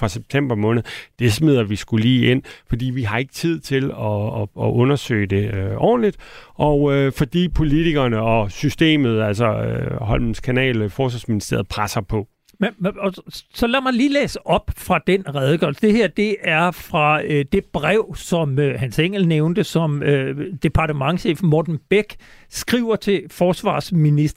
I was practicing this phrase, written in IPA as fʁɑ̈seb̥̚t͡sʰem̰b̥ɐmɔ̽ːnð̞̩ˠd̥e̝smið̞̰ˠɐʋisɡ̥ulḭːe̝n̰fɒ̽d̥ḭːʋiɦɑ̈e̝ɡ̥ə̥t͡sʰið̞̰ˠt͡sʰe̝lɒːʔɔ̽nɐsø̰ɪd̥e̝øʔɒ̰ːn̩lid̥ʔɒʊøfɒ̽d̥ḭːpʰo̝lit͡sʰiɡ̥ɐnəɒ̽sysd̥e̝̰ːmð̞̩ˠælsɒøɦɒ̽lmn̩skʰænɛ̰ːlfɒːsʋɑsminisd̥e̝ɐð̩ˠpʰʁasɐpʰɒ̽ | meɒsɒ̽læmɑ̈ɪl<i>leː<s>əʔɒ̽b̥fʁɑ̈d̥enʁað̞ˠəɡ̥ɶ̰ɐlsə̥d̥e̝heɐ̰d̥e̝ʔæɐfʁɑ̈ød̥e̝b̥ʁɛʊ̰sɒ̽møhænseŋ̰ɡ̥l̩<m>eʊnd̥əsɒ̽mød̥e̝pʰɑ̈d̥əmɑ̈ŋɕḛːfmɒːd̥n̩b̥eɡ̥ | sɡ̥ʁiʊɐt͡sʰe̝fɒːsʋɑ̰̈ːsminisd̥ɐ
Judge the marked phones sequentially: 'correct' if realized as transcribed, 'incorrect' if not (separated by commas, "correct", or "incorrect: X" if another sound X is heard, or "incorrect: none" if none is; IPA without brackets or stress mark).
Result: incorrect: iː, correct, incorrect: n